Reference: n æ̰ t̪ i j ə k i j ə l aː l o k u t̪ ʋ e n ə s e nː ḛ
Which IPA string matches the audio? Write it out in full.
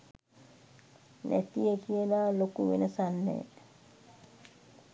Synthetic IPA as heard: n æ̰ t̪ i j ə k i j ə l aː l o k u ʋ e n ə s a nː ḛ